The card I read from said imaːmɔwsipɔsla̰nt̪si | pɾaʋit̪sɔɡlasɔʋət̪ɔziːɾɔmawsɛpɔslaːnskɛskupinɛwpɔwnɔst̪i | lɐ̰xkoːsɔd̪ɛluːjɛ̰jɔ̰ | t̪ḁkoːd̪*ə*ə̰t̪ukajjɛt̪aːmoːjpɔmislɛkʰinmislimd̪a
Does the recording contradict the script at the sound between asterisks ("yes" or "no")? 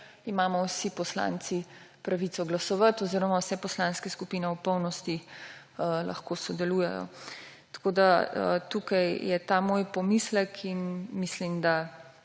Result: yes